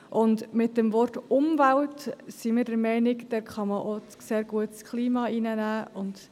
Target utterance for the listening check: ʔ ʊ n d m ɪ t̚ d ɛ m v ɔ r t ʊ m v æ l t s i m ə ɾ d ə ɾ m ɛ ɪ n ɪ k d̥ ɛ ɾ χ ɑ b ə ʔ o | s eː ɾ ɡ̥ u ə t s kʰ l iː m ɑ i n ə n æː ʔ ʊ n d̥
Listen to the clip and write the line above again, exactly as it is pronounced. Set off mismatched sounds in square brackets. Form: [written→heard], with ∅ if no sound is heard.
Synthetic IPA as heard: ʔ ʊ n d m ɪ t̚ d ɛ m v ɔ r t ʊ m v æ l t s i m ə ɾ d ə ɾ m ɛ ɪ n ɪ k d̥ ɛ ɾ χ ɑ [b→m] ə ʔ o | s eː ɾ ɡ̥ u ə t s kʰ l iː m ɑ i n ə n æː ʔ ʊ n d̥